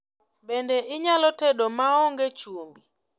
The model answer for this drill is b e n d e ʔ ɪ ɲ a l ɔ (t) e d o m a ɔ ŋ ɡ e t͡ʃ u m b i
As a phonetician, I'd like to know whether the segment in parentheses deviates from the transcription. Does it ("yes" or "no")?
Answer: no